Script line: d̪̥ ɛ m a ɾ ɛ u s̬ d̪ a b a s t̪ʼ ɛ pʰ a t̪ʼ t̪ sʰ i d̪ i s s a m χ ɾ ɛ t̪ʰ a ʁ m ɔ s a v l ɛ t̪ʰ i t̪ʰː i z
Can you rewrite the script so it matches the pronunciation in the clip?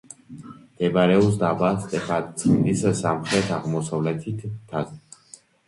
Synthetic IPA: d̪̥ ɛ b a ɾ ɛ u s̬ d̪ a b a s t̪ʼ ɛ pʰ a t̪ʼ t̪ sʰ i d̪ i s s a m χ ɾ ɛ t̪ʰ a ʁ m ɔ s a v l ɛ t̪ʰ i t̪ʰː a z

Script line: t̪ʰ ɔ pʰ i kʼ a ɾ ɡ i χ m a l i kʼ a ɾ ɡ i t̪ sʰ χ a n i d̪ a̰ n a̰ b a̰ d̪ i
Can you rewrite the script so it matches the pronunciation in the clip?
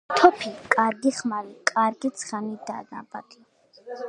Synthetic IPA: t̪ʰ ɔ pʰ i kʼ a ɾ ɡ i χ m a l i kʼ a ɾ ɡ i t̪ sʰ χ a n i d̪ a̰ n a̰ b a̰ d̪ i

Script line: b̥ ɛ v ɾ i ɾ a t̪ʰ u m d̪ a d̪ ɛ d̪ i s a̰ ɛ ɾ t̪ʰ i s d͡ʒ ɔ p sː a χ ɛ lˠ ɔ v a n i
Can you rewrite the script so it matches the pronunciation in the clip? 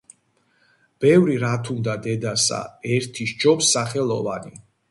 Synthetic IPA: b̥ ɛ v ɾ i ɾ a t̪ʰ u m d̪ a d̪ ɛ d̪ a s a̰ ɛ ɾ t̪ʰ i ʃ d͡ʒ ɔ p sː a χ ɛ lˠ ɔ v a n i

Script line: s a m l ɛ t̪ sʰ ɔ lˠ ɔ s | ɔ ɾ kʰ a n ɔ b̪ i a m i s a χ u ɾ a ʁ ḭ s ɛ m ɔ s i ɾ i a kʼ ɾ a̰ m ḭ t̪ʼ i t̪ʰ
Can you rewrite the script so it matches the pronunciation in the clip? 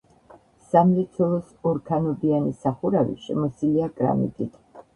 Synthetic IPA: s a m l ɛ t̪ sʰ ɔ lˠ ɔ s | ɔ ɾ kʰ a n ɔ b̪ i a n i s a χ u ɾ a v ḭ ʃ ɛ m ɔ s i l i a kʼ ɾ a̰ m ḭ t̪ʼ i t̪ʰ

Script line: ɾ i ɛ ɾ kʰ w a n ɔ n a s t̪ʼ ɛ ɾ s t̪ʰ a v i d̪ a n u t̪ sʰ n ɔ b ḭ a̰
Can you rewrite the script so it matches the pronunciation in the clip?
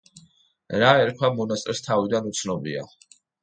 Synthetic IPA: ɾ a ɛ ɾ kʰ w a m ɔ n a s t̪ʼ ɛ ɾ s t̪ʰ a v i d̪ a n u t̪ sʰ n ɔ b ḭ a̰

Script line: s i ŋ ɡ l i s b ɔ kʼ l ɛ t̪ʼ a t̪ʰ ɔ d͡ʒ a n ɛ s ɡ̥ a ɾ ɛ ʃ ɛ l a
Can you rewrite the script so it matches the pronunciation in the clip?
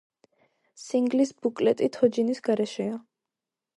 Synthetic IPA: s i ŋ ɡ l i s b u kʼ l ɛ t̪ʼ i t̪ʰ ɔ d͡ʒ i n i s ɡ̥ a ɾ ɛ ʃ ɛ a

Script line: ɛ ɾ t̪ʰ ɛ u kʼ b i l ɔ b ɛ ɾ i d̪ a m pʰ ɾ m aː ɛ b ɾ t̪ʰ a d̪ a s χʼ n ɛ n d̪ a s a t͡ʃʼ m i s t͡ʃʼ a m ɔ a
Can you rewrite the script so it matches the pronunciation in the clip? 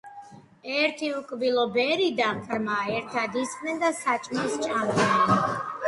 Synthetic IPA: ɛ ɾ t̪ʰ i u kʼ b i l ɔ b ɛ ɾ i d̪ a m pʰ ɾ m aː ɛ ɾ t̪ʰ a d̪ i s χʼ n ɛ n d̪ a s a t͡ʃʼ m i s t͡ʃʼ a m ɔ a

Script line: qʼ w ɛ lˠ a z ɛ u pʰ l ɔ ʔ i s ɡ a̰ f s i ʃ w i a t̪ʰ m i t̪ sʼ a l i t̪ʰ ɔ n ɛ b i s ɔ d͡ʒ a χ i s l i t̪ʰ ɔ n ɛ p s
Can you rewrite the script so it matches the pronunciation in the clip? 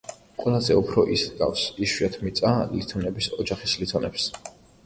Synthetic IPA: qʼ w ɛ lˠ a z ɛ u pʰ ɾ ɔ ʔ i s ɡ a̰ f s i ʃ w i a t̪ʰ m i t̪ sʼ a l i t̪ʰ ɔ n ɛ b i s ɔ d͡ʒ a χ i s l i t̪ʰ ɔ n ɛ p s

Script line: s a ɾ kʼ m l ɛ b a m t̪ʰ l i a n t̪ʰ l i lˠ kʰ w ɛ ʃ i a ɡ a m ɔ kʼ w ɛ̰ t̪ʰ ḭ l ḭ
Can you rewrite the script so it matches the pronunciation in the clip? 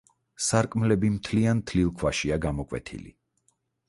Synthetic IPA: s a ɾ kʼ m l ɛ b i m t̪ʰ l i a n t̪ʰ l i lˠ kʰ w a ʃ i a ɡ a m ɔ kʼ w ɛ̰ t̪ʰ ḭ l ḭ

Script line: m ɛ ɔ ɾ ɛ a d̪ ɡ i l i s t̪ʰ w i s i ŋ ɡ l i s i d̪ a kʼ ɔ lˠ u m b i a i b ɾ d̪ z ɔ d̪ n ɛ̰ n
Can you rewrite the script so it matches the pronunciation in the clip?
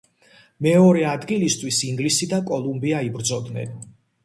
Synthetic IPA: m ɛ ɔ ɾ ɛ a d̪ ɡ i l i s t̪ʰ w i s i ŋ ɡ l i s i d̪ a kʼ ɔ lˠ u m b i a i b ɾ d̪ z ɔ d̪ n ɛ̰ n

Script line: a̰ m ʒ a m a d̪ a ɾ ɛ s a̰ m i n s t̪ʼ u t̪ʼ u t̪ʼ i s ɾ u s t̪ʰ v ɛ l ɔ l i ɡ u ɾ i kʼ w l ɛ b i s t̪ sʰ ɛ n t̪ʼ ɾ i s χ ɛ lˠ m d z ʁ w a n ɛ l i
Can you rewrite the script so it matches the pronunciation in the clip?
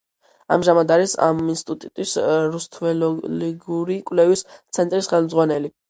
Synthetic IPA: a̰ m ʒ a m a d̪ a ɾ i s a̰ m i n s t̪ʼ u t̪ʼ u t̪ʼ i s ɾ u s t̪ʰ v ɛ l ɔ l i ɡ u ɾ i kʼ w l ɛ v i s t̪ sʰ ɛ n t̪ʼ ɾ i s χ ɛ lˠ m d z ʁ w a n ɛ l i

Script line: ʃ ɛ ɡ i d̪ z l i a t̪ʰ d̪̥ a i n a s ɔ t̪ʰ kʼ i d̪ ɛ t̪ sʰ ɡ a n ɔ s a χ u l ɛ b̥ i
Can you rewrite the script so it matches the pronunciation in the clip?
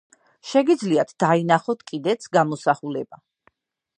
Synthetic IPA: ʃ ɛ ɡ i d̪ z l i a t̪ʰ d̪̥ a i n a χ ɔ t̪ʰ kʼ i d̪ ɛ t̪ sʰ ɡ a m ɔ s a χ u l ɛ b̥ a

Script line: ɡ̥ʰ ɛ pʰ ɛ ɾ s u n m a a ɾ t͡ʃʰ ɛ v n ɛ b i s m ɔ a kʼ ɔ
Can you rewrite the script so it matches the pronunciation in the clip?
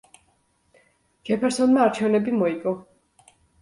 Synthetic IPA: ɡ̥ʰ ɛ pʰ ɛ ɾ s ɔ n m a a ɾ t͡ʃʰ ɛ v n ɛ b i m ɔ i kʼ ɔ

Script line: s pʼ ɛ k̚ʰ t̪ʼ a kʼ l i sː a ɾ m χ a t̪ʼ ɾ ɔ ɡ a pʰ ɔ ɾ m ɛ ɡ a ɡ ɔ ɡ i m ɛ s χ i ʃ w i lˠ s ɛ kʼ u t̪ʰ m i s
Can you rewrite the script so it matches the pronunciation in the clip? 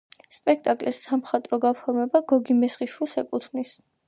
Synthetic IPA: s pʼ ɛ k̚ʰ t̪ʼ a kʼ l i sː a m χ a t̪ʼ ɾ ɔ ɡ a pʰ ɔ ɾ m ɛ b a ɡ ɔ ɡ i m ɛ s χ i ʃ w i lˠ s ɛ kʼ u t̪ʰ n i s

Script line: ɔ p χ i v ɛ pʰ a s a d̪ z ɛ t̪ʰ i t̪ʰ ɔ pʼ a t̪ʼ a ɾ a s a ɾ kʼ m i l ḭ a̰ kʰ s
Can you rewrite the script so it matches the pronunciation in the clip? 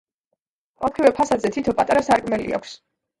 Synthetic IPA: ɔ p χ i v ɛ pʰ a s a d̪ z ɛ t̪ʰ i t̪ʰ ɔ pʼ a t̪ʼ a ɾ a s a ɾ kʼ m ɛ l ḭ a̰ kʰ s

